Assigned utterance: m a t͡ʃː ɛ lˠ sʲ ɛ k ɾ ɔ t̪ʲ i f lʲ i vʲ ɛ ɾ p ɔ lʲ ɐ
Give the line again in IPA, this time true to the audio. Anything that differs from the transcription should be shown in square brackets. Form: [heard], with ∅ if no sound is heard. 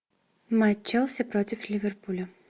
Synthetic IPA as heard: m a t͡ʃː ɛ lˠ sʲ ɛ [p] ɾ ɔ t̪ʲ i f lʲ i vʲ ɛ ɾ p [u] lʲ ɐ